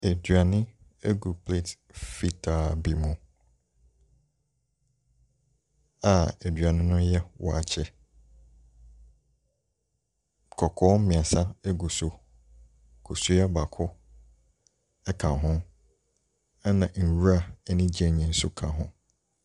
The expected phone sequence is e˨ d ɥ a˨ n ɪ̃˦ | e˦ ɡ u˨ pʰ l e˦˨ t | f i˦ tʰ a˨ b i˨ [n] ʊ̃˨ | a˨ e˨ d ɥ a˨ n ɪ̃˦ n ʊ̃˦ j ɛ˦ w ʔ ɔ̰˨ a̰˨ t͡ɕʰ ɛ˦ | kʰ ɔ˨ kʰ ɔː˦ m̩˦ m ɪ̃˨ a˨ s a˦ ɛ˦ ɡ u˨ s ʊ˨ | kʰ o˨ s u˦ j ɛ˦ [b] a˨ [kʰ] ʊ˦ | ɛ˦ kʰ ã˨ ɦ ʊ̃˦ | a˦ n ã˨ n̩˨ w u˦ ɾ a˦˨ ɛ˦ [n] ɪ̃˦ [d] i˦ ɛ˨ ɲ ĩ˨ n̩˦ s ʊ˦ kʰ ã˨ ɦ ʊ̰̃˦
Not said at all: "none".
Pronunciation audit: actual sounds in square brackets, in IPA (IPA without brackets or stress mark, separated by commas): m, b, kʰ, n, d͡ʑ